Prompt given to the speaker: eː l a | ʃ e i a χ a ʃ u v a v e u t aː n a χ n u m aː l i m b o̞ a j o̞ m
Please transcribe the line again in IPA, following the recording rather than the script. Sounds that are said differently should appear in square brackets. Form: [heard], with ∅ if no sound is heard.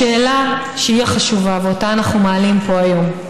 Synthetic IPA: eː l a | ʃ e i a χ a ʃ u v a v e [o] t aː n a χ n u m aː l i m [p] o̞ a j o̞ m